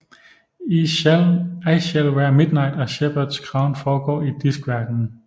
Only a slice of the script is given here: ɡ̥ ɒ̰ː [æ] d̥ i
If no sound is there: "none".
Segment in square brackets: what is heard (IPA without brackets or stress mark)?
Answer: i